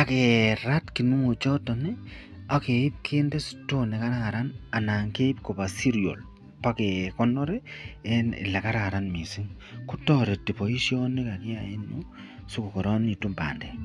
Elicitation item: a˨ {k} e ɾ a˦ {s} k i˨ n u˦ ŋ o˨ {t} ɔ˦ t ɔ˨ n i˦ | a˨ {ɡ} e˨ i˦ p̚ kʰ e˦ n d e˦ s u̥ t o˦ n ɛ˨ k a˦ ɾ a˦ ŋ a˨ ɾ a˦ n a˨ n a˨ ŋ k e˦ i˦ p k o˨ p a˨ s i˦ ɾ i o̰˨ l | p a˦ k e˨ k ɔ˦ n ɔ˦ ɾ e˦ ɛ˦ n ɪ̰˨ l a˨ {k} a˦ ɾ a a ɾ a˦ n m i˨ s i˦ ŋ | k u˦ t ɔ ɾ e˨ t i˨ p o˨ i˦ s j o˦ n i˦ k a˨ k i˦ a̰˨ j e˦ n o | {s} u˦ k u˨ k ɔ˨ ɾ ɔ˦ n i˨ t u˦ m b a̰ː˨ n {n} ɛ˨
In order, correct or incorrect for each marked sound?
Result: correct, incorrect, incorrect, incorrect, correct, correct, incorrect

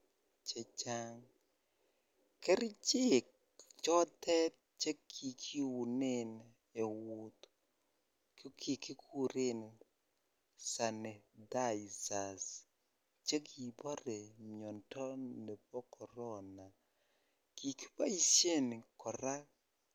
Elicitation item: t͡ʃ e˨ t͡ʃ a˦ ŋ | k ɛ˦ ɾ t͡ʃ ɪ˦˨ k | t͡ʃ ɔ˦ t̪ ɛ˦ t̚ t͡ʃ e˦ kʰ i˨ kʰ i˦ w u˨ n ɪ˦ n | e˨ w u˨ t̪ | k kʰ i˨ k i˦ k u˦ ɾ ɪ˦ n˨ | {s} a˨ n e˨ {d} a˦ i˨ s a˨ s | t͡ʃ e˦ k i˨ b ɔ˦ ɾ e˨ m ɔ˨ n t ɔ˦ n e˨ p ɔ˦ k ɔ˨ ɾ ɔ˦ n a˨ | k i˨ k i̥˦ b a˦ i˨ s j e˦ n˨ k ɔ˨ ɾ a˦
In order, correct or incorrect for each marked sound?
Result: correct, correct

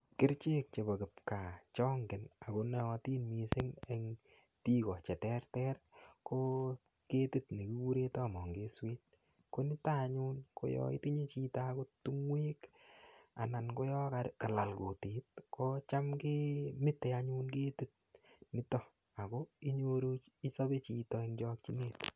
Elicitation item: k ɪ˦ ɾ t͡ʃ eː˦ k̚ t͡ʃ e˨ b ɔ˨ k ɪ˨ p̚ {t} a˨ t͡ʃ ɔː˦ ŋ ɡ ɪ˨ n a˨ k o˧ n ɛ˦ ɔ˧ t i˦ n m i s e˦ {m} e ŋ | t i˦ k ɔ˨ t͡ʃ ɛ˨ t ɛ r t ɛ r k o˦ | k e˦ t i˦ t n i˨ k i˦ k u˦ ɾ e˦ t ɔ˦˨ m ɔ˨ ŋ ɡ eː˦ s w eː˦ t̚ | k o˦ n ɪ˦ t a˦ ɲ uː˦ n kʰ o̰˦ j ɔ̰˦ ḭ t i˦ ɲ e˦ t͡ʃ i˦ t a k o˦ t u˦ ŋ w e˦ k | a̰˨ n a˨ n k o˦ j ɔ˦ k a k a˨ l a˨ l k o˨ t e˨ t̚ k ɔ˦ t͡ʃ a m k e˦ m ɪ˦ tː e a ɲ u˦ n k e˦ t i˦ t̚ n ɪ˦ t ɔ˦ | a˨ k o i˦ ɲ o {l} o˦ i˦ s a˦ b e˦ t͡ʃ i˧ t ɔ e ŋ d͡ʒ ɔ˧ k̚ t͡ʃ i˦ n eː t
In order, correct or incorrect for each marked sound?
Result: incorrect, incorrect, incorrect

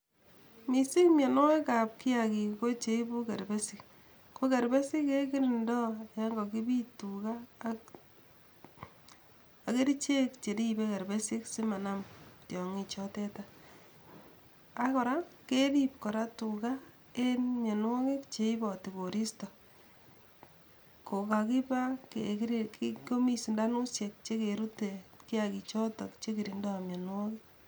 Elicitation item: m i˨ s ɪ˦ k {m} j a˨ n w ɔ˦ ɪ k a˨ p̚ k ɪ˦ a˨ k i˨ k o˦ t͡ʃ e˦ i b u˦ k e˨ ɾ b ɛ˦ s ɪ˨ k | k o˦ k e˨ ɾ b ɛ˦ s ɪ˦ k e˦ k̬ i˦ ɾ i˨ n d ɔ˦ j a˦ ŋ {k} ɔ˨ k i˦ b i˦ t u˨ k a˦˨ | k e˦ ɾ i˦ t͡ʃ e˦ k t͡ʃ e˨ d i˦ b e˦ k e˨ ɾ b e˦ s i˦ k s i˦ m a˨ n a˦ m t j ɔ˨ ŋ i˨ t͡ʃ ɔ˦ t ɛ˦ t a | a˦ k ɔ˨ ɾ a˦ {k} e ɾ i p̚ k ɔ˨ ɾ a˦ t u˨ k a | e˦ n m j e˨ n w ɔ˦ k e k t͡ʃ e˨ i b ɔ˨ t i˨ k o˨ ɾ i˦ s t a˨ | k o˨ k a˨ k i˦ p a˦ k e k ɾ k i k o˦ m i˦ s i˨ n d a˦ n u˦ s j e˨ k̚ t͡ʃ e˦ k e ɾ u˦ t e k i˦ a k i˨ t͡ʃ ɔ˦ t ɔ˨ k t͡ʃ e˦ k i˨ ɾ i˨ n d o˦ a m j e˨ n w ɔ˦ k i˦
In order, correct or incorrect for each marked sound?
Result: correct, incorrect, correct

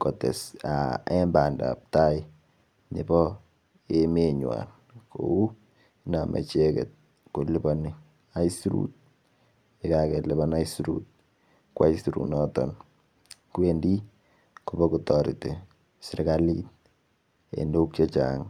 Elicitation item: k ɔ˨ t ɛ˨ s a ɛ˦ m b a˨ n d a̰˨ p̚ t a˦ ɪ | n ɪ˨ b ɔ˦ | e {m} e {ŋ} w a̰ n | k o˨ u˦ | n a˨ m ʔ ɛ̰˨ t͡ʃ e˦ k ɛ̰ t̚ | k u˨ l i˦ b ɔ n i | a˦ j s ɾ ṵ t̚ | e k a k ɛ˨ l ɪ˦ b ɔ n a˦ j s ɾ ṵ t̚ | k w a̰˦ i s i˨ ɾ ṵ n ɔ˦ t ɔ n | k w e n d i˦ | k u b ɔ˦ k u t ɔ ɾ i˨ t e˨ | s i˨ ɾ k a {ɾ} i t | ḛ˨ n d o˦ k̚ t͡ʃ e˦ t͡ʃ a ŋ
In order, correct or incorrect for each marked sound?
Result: correct, incorrect, incorrect

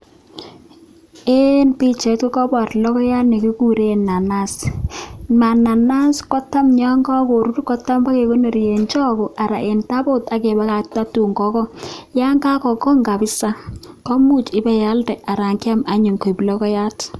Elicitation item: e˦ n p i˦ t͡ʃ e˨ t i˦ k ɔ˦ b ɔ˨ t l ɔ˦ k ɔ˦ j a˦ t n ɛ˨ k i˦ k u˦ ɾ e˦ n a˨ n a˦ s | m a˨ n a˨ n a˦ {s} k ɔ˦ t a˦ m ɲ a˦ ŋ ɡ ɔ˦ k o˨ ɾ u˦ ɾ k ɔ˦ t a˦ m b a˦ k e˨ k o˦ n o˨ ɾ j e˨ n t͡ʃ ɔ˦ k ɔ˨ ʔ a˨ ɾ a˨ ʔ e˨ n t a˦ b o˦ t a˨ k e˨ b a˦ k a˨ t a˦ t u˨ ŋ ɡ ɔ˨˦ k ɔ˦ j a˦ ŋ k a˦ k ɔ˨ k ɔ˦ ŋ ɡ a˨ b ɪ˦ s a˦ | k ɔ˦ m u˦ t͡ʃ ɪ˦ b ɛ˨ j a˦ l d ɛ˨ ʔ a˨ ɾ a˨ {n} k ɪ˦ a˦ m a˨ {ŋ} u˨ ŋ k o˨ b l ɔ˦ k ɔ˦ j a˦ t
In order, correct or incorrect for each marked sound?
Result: correct, incorrect, incorrect

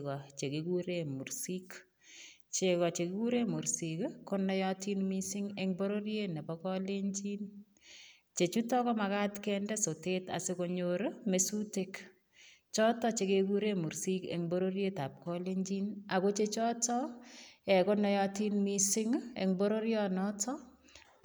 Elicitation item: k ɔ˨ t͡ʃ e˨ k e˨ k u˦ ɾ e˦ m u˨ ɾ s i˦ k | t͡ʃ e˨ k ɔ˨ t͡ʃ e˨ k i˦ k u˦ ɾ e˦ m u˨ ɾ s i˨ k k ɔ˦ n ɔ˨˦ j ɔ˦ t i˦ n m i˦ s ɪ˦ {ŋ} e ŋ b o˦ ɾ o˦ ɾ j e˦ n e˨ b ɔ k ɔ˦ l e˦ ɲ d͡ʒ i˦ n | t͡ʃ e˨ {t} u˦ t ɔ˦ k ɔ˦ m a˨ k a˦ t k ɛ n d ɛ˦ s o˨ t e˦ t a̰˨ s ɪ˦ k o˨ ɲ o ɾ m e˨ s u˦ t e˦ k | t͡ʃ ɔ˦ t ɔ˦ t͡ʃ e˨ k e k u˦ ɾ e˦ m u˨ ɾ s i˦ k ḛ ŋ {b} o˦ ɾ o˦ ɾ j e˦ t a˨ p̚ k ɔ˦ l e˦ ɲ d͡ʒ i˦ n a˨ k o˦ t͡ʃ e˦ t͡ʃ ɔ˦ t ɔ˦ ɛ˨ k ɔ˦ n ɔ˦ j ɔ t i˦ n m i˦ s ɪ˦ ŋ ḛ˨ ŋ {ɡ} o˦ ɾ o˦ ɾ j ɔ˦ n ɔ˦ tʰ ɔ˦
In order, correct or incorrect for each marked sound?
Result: correct, incorrect, correct, incorrect

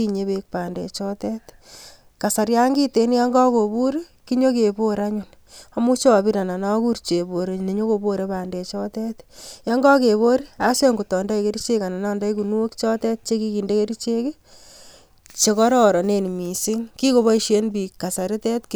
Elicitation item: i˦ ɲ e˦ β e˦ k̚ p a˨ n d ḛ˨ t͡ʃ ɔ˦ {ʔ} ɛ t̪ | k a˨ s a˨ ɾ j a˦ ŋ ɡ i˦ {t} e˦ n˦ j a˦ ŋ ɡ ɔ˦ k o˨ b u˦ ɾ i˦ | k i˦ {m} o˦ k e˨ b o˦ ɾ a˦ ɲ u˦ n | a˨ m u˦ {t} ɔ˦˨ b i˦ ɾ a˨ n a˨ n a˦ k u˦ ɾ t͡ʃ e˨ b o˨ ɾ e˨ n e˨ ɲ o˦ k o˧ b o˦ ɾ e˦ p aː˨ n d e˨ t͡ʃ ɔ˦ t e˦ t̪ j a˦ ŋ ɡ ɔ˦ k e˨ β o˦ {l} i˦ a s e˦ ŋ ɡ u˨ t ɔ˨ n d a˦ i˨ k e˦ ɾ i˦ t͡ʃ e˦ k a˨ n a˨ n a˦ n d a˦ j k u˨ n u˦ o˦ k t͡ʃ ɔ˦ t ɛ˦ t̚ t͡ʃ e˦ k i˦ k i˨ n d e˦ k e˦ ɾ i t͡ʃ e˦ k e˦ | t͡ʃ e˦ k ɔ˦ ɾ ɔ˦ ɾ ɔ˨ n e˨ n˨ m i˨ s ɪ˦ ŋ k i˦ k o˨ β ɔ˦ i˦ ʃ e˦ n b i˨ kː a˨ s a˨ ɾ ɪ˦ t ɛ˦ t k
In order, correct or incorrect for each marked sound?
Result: incorrect, correct, incorrect, incorrect, incorrect

